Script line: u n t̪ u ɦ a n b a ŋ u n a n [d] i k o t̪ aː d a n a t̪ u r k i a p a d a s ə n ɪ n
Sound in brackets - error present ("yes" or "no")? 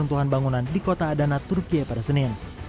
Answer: no